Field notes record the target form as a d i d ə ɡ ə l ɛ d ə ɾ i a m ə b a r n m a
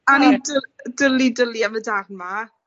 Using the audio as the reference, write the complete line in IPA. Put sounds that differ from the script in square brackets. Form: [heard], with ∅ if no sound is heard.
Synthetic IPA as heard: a [n] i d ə [d] ə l [i] d ə [l] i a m ə [d] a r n m a